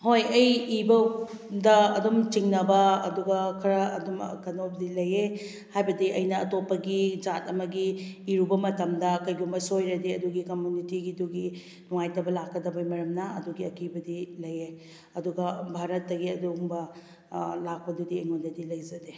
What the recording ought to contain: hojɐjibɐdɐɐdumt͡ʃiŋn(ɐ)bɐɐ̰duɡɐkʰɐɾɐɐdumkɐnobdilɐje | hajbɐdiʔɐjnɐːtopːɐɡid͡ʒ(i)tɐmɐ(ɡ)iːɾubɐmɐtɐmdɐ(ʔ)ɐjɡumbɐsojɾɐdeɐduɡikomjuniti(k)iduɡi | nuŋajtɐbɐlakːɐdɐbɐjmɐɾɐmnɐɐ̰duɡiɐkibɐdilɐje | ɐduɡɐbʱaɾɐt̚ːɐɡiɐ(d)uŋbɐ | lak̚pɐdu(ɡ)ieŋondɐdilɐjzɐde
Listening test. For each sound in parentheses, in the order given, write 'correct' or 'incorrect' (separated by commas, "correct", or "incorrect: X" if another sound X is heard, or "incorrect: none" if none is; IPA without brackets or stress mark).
correct, incorrect: a, correct, incorrect: k, incorrect: ɡ, correct, incorrect: d